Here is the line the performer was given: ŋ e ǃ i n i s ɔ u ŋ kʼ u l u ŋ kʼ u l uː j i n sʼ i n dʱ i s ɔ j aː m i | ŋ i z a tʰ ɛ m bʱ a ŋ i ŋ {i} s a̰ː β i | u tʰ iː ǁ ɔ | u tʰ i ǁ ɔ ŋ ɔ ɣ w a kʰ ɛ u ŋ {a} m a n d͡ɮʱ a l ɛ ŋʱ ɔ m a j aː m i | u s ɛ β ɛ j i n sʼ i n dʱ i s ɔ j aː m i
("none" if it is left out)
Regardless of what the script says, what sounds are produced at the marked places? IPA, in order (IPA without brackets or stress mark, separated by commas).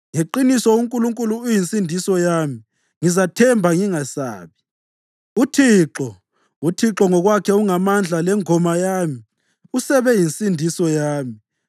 a, a